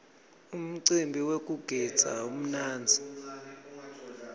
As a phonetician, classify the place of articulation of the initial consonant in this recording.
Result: labial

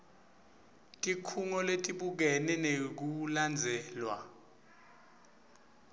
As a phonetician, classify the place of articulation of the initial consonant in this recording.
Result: alveolar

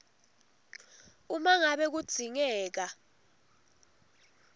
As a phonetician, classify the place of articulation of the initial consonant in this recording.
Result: labial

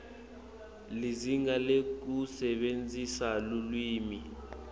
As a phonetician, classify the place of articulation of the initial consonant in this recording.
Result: alveolar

